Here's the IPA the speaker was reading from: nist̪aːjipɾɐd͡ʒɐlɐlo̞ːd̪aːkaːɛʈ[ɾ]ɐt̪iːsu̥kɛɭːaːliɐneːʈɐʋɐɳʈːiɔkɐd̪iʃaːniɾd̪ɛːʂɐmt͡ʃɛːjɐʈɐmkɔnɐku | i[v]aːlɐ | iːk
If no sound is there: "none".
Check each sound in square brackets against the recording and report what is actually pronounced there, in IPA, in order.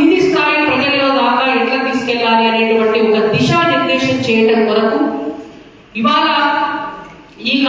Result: l, ʋ

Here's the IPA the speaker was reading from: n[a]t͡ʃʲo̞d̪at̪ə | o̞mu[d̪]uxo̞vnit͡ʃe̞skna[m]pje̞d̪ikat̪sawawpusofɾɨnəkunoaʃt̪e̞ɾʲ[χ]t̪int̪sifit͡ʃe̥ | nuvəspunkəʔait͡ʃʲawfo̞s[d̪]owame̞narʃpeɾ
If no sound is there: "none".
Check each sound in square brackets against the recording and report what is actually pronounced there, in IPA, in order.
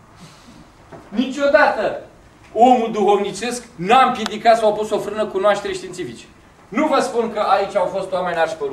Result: i, d̪, m, ʃ, t̪

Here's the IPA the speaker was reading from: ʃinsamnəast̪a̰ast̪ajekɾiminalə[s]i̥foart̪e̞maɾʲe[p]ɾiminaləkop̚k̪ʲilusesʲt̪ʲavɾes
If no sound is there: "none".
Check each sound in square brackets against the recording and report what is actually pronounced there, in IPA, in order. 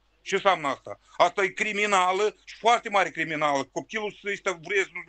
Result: ʃ, k

